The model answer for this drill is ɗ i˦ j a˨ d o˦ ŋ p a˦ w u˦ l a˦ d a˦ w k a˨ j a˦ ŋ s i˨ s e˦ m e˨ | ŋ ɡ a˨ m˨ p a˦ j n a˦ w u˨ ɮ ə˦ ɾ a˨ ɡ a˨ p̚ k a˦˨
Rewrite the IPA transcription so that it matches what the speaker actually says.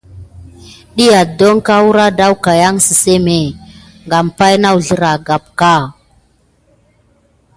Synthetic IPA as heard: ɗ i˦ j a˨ d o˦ ŋ k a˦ w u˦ ɾ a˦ d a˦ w k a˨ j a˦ ŋ s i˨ s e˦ m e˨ | ŋ ɡ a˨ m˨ p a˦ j n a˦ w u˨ ɮ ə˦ ɾ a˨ ɡ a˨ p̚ k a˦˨

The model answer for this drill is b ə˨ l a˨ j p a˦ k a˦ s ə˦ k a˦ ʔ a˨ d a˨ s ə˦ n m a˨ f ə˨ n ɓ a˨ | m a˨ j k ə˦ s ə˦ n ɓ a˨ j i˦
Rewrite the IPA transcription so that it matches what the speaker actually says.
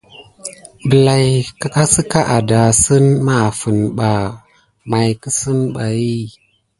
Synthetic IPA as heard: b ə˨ l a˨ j k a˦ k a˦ s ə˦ k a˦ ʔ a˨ d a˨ s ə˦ n m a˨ f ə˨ n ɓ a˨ | m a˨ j k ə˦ s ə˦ n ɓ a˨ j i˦

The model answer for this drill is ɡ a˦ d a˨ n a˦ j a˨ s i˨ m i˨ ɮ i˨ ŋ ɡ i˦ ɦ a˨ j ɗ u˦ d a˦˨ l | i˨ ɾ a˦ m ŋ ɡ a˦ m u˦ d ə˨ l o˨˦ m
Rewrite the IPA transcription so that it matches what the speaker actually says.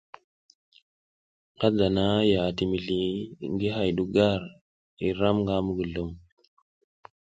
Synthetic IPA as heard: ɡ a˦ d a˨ n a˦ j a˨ t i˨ m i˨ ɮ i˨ ŋ ɡ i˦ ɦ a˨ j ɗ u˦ ɡ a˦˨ ɾ | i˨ ɾ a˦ m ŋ ɡ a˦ m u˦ ɡ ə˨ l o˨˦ m

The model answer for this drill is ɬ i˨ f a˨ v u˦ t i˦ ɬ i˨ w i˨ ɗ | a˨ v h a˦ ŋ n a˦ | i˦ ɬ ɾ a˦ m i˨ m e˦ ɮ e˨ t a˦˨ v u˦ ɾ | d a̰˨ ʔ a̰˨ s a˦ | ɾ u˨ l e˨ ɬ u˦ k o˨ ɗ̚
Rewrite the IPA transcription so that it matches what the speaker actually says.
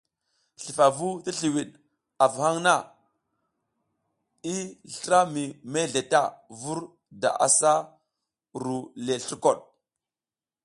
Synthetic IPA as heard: ɬ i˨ f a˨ v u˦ t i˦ ɬ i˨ w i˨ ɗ | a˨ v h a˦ ŋ n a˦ | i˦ ɬ ɾ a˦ m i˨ m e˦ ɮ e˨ t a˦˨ v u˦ ɾ | d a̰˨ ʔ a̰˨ s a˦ | ɾ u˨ l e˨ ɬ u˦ k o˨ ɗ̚

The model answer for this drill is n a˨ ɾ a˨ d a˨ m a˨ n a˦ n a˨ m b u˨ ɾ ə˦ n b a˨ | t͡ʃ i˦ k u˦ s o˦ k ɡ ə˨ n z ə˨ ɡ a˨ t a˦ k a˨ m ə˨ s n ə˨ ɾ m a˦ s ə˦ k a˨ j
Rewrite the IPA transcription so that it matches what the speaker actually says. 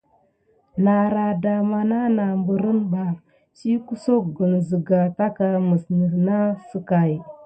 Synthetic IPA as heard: n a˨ ɾ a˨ d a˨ m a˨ n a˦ n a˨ m b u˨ ɾ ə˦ n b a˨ | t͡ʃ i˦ k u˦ s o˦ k ɡ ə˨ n z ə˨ ɡ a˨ t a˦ k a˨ m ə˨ s n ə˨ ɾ n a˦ s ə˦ k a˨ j

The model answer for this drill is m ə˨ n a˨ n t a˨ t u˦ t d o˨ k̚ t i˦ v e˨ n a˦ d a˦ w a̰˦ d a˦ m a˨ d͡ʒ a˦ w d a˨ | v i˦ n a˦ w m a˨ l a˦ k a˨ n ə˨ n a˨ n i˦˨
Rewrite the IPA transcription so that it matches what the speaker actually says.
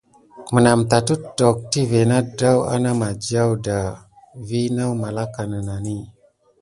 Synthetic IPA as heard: m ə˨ n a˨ m t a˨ t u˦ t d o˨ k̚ t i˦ v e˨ n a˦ d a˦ w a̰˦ n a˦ m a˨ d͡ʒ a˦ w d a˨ | v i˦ n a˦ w m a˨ l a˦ k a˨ n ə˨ n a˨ n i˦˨

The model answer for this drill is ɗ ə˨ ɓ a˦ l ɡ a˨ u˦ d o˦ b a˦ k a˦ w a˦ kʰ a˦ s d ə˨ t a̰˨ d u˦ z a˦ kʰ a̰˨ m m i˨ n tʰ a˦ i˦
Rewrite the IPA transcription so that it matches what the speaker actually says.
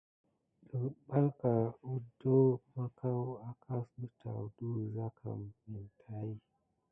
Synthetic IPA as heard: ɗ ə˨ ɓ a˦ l k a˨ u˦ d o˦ m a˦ k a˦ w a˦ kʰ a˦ s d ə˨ t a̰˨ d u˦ z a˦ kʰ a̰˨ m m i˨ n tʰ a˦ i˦

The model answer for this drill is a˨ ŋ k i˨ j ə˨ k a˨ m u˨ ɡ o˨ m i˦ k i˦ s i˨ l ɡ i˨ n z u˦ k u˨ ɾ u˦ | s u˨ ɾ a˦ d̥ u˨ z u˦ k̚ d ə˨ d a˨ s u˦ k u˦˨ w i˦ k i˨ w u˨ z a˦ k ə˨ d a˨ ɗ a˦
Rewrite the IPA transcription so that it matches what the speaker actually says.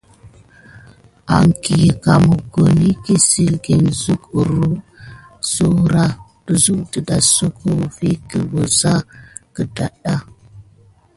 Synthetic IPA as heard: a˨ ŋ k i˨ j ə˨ k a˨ m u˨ ɡ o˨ n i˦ k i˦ s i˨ l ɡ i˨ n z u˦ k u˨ ɾ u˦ | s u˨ ɾ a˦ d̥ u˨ z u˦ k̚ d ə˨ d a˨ s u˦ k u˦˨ v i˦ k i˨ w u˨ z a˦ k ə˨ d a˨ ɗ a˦

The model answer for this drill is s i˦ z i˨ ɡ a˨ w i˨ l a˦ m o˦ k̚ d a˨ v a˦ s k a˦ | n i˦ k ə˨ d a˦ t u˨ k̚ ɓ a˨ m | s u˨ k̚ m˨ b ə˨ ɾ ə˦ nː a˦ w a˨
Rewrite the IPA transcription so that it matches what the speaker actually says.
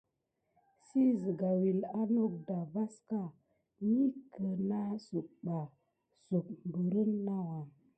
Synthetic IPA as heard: s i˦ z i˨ ɡ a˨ w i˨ l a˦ n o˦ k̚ d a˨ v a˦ s k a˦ | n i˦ k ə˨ n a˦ s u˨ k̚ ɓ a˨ | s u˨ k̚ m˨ b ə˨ ɾ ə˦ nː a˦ w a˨

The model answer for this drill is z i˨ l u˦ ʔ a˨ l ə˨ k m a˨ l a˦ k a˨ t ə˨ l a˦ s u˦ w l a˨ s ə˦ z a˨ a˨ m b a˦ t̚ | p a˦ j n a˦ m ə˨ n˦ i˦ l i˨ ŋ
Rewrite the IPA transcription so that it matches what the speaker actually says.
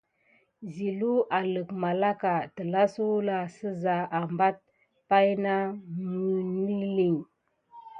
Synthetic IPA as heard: z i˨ l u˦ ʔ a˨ l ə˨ k m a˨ l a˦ k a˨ t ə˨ l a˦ s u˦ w l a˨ s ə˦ z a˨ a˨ m b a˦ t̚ | p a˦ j n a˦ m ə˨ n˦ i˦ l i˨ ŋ

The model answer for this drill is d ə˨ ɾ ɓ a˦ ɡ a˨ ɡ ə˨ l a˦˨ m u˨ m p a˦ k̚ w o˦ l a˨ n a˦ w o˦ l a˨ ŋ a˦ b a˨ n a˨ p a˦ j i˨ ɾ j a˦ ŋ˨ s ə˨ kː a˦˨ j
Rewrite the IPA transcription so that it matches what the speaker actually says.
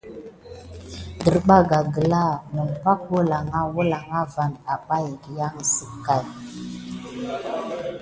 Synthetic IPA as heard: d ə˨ ɾ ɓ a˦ ɡ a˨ ɡ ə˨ l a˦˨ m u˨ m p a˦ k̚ w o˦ l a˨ ŋ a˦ w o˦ l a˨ ŋ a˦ v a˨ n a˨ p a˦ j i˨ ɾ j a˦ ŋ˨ s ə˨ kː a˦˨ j

